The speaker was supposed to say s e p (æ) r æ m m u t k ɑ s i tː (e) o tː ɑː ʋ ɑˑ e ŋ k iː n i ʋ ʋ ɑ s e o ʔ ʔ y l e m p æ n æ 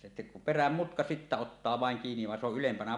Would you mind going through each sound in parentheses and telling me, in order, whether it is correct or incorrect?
incorrect: e, incorrect: æ

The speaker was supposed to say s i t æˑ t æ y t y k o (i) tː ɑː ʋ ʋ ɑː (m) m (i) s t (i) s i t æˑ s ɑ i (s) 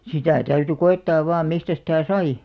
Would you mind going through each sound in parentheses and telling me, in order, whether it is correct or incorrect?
incorrect: e, correct, correct, incorrect: æ, incorrect: none

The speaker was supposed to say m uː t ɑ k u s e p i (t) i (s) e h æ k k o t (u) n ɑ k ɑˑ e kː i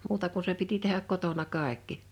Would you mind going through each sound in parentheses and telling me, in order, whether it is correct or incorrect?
correct, incorrect: t, incorrect: o

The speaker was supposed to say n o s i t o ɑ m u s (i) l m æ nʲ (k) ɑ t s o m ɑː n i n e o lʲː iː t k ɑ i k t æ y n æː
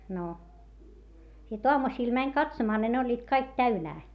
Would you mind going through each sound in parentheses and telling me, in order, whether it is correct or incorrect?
incorrect: iː, correct

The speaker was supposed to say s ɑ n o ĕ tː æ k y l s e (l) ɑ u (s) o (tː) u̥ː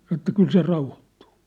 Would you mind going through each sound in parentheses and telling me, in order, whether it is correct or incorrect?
incorrect: r, incorrect: h, correct

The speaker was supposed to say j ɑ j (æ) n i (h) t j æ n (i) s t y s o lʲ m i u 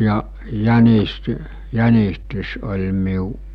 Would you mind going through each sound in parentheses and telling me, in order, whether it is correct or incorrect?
correct, incorrect: s, correct

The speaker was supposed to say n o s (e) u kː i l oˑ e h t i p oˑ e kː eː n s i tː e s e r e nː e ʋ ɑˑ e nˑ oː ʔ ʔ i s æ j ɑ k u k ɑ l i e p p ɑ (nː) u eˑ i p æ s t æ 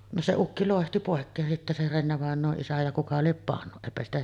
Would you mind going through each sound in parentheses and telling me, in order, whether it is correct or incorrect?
correct, correct

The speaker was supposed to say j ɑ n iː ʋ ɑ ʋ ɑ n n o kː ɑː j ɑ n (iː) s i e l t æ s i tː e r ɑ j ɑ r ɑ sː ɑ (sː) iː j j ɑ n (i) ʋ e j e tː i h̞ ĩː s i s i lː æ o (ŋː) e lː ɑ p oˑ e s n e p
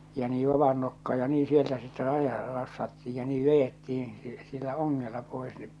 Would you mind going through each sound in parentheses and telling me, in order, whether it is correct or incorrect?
correct, incorrect: tː, incorrect: iː, correct

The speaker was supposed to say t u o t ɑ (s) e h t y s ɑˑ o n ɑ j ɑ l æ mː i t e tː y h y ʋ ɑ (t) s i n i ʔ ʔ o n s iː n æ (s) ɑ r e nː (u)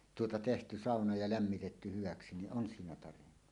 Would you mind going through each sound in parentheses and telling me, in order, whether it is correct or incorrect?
incorrect: t, incorrect: k, incorrect: t, correct

